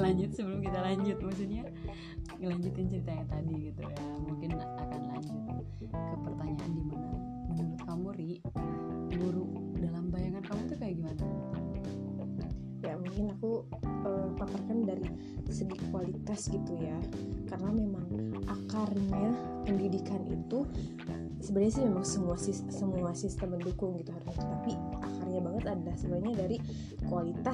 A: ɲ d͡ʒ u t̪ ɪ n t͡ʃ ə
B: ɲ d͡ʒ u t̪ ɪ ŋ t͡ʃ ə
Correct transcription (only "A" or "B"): A